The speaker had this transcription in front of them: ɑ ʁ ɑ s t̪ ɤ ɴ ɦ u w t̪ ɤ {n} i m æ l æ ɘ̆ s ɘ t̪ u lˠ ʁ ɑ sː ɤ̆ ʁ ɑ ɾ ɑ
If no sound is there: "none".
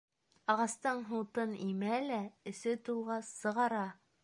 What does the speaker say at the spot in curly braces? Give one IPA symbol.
n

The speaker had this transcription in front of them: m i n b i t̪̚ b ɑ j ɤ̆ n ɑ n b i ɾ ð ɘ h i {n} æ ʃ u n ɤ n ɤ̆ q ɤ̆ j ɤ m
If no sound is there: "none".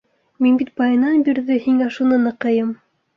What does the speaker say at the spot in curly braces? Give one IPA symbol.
ŋ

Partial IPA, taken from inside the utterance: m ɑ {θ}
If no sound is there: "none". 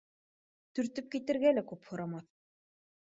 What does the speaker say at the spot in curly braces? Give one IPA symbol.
θ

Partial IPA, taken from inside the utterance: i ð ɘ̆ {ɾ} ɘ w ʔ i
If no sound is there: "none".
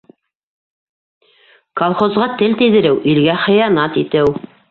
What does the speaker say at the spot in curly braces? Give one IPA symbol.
ɾ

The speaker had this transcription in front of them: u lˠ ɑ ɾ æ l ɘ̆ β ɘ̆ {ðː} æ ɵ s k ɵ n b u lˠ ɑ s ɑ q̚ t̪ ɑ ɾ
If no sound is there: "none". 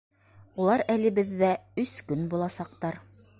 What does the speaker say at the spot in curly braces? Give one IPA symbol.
ðː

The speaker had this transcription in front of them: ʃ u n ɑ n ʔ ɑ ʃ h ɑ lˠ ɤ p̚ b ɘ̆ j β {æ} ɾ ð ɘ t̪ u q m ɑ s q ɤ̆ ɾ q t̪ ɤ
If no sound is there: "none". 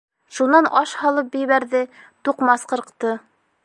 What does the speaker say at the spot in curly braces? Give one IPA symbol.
æ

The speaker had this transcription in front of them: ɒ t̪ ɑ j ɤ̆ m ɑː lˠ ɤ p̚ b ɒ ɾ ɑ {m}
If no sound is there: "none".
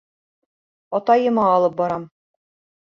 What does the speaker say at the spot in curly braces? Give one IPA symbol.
m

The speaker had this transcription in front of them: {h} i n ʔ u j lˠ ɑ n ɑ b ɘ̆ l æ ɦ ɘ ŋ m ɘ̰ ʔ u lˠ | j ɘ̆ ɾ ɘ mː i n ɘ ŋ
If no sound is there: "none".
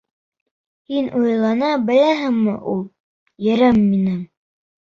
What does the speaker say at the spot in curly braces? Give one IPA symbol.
h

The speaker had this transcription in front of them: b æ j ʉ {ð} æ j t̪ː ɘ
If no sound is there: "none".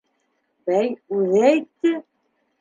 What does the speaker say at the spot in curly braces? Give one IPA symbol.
ð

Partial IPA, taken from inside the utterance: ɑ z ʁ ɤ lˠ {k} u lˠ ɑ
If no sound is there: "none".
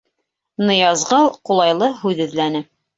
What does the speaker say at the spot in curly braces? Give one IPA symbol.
q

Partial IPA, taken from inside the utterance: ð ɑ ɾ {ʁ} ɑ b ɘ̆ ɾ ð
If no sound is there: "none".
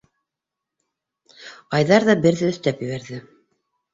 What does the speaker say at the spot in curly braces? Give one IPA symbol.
ð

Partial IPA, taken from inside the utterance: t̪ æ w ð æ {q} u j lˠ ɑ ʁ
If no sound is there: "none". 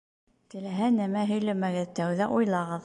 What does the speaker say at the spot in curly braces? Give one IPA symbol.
ʔ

